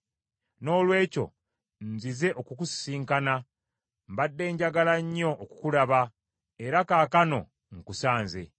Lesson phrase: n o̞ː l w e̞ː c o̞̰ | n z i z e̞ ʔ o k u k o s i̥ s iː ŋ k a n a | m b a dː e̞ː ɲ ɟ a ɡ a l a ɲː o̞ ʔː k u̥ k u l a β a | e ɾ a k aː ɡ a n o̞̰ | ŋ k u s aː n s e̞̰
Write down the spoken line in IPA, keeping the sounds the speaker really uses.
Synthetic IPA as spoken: n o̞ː l w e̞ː c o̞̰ | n z i z e̞ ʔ o k u k u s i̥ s iː ŋ k a n a | m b a dː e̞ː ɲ ɟ a ɡ a l a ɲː o̞ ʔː k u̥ k u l a β a | e ɾ a k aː k a n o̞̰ | ŋ k u s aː n z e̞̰